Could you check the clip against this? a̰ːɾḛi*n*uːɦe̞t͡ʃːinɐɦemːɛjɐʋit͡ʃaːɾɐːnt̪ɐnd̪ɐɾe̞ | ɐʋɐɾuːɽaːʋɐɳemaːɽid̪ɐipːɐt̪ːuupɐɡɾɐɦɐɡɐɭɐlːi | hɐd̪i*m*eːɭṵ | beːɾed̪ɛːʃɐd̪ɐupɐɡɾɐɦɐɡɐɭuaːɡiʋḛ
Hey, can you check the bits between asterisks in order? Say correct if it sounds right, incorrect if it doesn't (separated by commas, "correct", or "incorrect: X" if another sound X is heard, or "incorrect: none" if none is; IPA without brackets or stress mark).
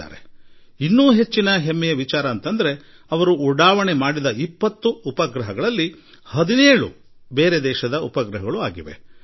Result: incorrect: nː, incorrect: n